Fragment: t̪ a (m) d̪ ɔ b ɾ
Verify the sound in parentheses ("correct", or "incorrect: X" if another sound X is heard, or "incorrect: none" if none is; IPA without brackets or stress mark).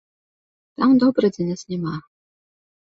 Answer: correct